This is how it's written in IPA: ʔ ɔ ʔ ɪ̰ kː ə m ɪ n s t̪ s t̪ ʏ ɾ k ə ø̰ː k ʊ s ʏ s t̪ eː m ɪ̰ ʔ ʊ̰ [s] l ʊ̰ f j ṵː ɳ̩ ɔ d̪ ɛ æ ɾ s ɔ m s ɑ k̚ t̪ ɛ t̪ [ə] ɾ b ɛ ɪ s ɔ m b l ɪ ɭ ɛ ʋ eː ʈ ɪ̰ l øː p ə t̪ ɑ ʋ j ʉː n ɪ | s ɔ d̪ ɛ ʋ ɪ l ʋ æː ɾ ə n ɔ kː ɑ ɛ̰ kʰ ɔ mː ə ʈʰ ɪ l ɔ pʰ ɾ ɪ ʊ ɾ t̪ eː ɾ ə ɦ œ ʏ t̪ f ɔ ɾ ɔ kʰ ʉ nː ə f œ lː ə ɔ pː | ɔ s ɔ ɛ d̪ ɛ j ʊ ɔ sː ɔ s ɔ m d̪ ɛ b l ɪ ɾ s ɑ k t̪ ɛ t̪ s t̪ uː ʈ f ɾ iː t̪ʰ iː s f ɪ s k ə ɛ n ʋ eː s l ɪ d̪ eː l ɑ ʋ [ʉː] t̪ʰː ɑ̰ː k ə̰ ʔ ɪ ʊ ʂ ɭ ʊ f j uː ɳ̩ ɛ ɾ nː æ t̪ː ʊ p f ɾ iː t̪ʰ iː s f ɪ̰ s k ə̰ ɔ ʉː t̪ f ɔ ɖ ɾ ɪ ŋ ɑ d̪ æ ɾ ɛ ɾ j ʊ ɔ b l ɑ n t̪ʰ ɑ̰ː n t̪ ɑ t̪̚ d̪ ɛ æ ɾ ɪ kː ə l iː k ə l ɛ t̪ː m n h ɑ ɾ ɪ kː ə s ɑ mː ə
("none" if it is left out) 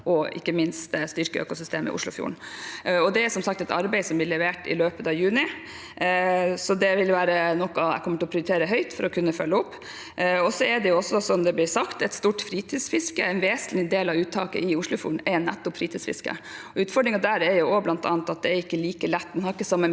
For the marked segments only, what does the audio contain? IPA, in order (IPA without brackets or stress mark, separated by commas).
ʂ, ɑ, ʉː